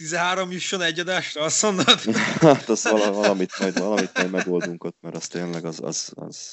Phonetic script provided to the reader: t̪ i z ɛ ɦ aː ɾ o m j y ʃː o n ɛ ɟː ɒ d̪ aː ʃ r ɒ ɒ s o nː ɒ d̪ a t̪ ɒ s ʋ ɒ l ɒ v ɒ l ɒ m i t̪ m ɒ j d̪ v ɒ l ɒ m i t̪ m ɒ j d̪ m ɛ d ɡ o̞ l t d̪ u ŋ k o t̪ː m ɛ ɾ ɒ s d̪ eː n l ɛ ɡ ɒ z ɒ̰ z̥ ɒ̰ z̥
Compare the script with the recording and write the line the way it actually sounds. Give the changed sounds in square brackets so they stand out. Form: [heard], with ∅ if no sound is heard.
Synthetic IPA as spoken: t̪ i z ɛ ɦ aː ɾ o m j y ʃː o n ɛ ɟː ɒ d̪ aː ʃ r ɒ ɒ s o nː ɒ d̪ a t̪ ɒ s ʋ ɒ l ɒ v ɒ l ɒ m i t̪ m ɒ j d̪ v ɒ l ɒ m i t̪ m ɒ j d̪ m ɛ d ɡ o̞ l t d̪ u ŋ k o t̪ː m ɛ ɾ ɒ s [t̪] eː n l ɛ ɡ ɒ z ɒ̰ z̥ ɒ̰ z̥